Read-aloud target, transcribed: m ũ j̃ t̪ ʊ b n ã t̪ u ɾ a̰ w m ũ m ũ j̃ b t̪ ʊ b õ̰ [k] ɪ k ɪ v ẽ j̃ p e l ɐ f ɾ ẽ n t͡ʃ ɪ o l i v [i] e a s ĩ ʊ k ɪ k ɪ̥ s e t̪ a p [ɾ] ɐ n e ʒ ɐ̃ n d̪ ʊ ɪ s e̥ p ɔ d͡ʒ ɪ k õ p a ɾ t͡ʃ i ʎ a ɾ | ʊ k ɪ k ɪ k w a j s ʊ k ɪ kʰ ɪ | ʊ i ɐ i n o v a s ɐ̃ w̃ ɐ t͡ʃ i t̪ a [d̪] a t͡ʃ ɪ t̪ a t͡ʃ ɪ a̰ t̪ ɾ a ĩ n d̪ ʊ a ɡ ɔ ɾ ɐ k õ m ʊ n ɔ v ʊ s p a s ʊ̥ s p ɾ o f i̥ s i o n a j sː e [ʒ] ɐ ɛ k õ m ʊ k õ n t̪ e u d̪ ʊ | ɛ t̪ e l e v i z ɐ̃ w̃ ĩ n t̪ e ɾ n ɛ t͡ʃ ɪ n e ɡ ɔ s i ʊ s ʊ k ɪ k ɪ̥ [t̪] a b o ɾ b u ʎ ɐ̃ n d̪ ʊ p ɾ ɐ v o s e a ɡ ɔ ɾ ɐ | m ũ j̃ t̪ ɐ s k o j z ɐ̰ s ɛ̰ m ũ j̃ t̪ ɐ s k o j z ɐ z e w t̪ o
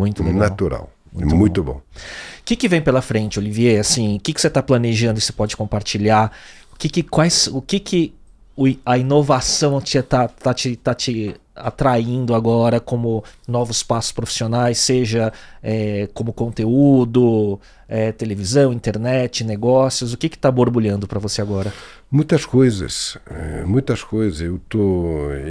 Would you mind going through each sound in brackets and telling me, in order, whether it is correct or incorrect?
correct, correct, incorrect, incorrect, correct, correct

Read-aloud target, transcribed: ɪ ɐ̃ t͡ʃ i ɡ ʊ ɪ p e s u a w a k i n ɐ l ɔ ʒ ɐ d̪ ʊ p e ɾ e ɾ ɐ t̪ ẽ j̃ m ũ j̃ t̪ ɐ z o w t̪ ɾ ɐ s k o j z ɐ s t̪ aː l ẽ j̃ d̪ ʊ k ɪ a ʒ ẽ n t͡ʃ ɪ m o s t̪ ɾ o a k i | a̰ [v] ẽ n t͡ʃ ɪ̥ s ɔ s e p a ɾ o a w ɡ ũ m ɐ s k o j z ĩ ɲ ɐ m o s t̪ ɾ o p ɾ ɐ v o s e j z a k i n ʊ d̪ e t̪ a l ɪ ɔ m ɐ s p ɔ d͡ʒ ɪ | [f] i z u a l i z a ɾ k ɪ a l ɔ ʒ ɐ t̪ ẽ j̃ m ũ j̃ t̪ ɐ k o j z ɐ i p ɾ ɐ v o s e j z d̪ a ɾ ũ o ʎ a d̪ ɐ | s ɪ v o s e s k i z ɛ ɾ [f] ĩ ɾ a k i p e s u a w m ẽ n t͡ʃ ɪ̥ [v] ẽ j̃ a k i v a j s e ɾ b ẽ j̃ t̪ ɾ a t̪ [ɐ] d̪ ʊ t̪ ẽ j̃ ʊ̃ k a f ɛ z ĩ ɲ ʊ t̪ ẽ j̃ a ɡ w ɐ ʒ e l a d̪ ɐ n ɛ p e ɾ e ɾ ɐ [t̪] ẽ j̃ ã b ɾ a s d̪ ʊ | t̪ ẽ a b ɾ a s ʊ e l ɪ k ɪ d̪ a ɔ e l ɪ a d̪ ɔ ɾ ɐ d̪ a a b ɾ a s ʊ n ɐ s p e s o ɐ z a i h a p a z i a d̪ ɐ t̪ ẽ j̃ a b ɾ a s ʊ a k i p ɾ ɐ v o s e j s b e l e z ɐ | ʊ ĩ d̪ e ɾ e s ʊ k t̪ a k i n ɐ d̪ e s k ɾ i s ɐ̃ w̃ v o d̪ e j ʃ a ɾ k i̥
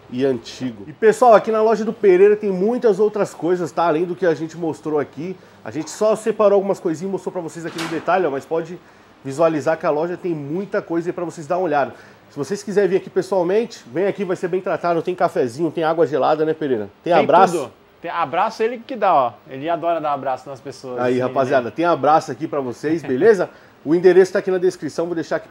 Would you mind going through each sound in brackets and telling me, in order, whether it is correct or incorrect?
incorrect, incorrect, incorrect, correct, incorrect, correct

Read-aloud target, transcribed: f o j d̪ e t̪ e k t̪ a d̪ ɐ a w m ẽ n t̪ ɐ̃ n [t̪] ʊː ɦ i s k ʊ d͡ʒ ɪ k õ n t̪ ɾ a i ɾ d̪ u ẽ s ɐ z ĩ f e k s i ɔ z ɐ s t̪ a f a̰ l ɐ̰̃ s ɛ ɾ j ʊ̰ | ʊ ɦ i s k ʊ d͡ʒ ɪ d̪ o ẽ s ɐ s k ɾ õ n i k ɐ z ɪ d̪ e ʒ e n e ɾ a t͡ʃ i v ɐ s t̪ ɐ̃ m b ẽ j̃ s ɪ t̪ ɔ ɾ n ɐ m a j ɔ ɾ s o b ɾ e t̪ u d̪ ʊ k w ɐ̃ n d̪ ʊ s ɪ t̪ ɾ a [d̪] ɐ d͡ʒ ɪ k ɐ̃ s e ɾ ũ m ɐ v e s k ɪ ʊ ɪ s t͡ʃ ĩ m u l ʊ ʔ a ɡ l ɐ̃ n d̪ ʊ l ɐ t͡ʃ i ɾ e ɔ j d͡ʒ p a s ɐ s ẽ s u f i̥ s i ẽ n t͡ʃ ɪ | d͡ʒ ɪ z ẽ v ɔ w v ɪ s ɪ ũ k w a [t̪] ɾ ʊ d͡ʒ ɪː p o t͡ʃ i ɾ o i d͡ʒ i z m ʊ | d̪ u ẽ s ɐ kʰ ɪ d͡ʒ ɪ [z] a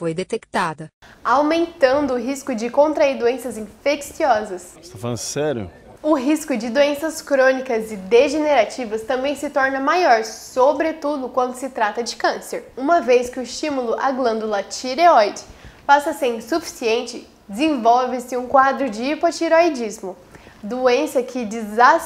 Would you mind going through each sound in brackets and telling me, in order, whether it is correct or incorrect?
incorrect, incorrect, incorrect, correct

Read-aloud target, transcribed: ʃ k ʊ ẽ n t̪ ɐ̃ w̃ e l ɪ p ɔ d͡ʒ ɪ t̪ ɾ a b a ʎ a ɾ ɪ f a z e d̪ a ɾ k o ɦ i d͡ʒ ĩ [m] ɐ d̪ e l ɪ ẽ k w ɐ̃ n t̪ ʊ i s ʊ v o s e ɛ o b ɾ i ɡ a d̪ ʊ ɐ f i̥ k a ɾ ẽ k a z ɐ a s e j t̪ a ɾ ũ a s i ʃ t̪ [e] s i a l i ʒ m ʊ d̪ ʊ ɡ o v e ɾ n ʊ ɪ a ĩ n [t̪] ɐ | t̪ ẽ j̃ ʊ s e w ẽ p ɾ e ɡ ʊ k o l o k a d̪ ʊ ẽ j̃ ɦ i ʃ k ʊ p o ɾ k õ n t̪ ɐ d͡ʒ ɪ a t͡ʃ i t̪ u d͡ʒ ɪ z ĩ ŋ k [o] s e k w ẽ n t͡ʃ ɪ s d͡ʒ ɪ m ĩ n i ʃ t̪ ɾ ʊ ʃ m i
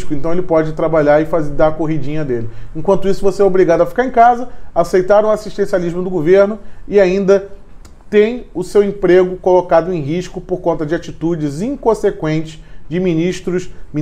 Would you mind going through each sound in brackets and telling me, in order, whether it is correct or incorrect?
incorrect, incorrect, incorrect, incorrect

